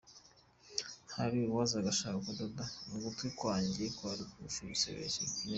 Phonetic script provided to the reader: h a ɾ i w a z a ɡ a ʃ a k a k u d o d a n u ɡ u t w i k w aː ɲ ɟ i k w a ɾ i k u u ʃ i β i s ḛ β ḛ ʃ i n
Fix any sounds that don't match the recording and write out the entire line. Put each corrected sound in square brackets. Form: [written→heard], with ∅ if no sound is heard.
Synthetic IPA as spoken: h a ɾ i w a z a ɡ a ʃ a k a k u d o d a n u ɡ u t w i k w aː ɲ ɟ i k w a ɾ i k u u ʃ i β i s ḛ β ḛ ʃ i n